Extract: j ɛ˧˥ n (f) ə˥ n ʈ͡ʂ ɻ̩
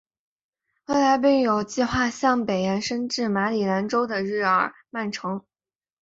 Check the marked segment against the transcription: incorrect: ʂ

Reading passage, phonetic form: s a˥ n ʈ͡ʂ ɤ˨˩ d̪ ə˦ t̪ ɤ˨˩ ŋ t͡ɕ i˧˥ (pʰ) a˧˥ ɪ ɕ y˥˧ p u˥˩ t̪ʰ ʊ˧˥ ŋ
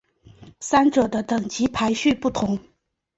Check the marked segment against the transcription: correct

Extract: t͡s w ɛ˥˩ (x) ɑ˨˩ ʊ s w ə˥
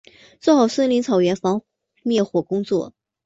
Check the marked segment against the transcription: correct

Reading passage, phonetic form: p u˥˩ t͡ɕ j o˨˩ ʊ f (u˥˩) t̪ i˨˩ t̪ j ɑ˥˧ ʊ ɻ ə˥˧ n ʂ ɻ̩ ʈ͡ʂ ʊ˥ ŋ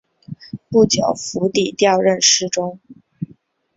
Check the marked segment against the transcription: incorrect: u˧˥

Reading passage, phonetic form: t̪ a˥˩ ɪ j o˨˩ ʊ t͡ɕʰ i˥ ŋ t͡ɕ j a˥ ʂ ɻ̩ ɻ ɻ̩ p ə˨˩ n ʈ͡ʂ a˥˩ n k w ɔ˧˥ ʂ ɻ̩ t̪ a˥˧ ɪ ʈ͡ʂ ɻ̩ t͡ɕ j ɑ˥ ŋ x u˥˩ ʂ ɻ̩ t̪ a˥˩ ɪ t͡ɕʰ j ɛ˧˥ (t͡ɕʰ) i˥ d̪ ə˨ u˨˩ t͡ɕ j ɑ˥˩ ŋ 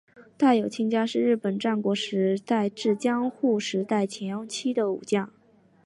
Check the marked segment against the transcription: correct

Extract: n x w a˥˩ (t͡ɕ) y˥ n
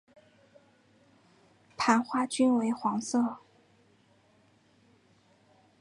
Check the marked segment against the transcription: correct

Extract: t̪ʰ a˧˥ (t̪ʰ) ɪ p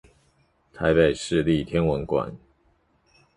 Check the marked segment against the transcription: incorrect: none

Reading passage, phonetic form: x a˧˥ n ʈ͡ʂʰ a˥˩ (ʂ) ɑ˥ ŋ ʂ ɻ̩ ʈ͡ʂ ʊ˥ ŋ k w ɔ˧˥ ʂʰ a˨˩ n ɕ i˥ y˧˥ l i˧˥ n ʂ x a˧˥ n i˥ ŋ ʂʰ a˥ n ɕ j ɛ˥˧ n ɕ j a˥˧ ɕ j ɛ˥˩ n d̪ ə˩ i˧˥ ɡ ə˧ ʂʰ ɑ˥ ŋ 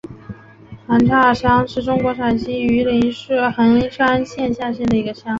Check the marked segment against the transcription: correct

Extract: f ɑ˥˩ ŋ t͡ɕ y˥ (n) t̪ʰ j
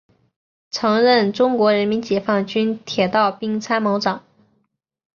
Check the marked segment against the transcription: correct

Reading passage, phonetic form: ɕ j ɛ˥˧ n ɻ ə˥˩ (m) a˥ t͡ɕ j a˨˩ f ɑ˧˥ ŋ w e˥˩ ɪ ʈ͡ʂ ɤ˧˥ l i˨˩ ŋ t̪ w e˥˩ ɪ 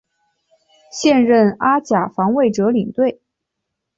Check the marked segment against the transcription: incorrect: n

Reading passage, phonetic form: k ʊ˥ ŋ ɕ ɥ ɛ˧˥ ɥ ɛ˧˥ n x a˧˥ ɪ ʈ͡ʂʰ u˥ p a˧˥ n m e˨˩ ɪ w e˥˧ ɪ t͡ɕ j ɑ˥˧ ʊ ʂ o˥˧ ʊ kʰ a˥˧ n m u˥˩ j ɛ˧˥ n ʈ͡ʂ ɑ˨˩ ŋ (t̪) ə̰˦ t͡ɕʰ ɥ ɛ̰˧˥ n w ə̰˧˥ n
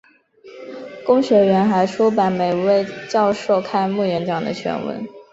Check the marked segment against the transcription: incorrect: d̪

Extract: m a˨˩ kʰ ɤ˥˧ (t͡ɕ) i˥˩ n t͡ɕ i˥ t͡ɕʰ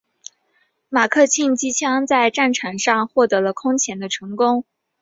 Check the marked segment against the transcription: incorrect: t͡ɕʰ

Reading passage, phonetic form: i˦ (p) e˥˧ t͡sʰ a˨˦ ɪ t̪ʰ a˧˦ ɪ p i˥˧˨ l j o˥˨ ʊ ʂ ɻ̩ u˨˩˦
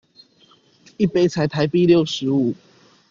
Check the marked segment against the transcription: correct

